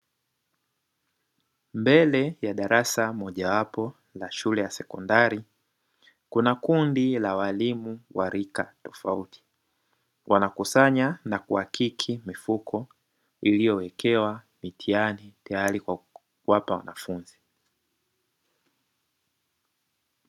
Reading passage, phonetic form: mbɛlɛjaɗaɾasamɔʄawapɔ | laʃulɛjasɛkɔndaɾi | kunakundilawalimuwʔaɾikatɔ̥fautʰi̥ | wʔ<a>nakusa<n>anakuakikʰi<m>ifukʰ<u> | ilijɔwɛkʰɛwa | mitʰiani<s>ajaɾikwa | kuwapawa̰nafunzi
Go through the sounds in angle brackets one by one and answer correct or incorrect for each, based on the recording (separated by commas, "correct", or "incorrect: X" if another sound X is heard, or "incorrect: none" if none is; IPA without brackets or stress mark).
correct, incorrect: ɲ, correct, incorrect: ɔ, incorrect: t